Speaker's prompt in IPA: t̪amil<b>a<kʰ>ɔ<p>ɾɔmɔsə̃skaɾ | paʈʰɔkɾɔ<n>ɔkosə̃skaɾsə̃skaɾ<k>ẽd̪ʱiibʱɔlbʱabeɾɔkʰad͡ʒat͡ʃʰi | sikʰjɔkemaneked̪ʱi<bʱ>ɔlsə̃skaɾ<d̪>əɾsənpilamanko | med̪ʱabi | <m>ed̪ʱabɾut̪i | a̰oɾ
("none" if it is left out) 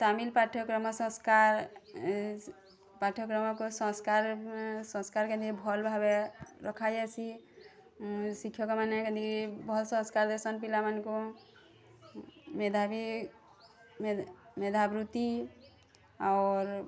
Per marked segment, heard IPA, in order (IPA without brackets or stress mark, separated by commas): p, ʈʰ, k, m, k, bʱ, d̪, m